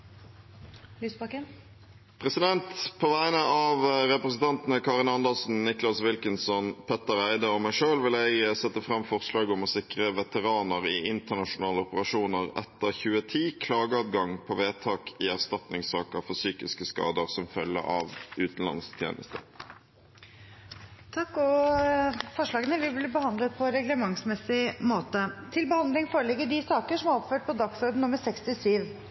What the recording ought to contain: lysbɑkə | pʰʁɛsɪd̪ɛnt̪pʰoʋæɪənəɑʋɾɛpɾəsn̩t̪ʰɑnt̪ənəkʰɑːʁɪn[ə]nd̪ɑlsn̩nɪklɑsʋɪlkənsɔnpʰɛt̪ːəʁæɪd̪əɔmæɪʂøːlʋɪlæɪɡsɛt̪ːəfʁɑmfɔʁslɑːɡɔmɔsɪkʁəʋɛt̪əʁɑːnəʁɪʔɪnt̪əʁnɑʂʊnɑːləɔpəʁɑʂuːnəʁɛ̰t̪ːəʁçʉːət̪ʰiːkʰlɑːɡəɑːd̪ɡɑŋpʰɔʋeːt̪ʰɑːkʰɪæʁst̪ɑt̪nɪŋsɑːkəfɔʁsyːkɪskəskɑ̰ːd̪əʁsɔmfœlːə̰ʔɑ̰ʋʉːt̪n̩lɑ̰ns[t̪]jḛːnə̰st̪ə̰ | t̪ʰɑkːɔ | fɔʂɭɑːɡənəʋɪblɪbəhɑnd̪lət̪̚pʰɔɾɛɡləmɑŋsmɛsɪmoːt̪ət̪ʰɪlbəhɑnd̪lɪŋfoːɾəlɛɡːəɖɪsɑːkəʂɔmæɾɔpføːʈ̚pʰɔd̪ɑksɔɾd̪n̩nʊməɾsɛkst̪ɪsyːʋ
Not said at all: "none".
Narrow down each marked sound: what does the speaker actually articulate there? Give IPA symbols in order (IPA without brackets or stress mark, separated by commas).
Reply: ɑ, t̪ʰ